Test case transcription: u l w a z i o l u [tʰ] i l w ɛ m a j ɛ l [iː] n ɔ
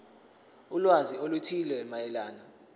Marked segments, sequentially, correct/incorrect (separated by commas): correct, incorrect